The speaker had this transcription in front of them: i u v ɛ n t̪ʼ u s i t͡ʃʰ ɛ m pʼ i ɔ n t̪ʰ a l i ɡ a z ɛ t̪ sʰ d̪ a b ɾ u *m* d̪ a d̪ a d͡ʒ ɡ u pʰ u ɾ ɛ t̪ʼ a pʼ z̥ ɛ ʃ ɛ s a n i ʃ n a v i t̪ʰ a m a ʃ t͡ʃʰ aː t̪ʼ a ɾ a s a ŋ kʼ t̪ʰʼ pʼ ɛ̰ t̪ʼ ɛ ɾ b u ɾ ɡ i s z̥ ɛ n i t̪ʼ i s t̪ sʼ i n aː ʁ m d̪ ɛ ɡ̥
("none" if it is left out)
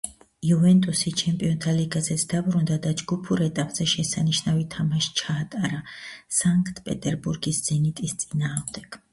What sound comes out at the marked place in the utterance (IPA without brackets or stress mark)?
n